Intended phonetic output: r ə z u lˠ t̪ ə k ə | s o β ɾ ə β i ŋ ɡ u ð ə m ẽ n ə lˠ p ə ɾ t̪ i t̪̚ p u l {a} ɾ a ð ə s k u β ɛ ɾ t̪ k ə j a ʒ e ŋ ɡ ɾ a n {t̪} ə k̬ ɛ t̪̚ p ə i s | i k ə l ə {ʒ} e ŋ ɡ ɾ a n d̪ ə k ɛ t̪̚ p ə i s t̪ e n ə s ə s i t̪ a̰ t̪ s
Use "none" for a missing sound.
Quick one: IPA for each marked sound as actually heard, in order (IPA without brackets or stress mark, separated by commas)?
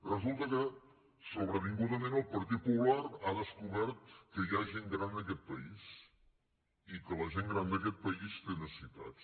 a, d̪, ʒ